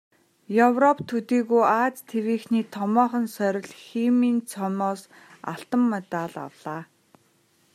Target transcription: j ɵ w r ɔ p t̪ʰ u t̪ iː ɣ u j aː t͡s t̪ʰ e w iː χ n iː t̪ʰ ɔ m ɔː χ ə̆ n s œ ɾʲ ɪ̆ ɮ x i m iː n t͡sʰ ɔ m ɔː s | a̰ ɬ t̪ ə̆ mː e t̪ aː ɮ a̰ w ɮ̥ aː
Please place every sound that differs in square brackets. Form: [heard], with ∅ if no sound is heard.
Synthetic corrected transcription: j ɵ w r ɔ p t̪ʰ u t̪ iː ɣ u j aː t͡s t̪ʰ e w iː [x] n iː t̪ʰ ɔ m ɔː χ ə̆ n s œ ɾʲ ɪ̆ ɮ x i m iː n t͡sʰ ɔ m ɔː s | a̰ ɬ t̪ ə̆ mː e t̪ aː ɮ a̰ w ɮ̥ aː